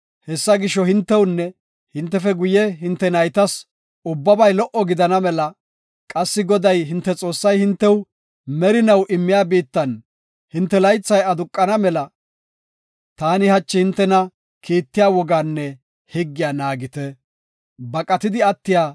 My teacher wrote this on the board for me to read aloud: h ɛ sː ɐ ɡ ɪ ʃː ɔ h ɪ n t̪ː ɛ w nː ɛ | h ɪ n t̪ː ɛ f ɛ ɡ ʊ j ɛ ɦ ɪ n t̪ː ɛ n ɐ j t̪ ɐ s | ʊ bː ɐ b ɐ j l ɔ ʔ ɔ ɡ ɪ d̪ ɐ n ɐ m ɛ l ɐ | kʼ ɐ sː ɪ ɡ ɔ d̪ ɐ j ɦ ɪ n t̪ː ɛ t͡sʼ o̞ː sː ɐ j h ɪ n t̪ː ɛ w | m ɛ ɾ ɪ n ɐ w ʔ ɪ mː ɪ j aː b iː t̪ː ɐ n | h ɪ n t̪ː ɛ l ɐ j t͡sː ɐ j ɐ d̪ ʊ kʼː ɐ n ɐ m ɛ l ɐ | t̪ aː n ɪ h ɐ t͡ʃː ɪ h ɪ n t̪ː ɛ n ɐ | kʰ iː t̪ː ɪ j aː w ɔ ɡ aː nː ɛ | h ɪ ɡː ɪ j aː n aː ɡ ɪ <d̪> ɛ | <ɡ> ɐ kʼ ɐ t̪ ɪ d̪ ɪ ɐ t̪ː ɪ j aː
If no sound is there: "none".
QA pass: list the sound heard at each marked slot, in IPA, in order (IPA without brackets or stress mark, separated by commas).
t̪, b